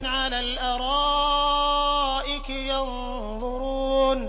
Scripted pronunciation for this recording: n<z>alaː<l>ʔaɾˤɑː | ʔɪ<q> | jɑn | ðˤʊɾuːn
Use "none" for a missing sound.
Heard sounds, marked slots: ʕ, l, k

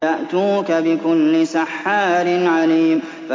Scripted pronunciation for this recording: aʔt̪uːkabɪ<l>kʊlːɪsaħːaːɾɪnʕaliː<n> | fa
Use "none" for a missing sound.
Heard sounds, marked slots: none, m

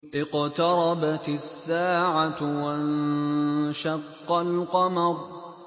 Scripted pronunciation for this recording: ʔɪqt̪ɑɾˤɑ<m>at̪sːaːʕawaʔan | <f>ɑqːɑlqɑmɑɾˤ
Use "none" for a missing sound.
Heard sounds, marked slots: b, ʃ

